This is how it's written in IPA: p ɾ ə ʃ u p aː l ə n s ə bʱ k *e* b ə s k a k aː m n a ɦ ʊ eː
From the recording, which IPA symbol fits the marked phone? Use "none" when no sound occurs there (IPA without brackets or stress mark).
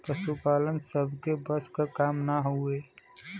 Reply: e